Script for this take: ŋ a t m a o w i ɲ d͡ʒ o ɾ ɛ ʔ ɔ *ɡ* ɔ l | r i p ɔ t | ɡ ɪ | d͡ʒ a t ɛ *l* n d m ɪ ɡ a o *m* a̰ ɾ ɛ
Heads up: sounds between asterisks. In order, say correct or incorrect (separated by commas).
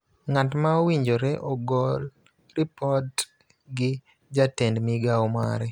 correct, incorrect, correct